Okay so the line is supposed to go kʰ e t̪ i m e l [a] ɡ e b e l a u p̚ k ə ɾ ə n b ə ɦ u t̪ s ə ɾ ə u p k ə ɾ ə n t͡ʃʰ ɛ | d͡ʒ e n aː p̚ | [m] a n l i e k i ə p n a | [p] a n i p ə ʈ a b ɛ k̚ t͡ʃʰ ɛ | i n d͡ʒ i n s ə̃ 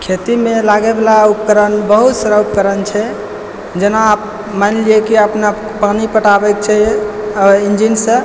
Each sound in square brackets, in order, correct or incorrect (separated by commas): correct, correct, correct